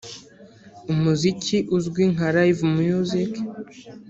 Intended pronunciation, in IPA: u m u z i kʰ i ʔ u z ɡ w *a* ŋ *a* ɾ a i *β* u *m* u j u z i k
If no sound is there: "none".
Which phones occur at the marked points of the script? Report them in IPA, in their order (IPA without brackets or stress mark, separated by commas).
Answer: i, a, v, m